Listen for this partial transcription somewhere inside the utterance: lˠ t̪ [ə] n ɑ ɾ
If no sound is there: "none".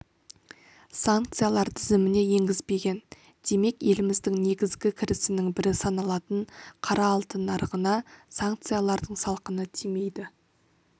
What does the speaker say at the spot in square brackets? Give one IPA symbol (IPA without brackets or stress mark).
ə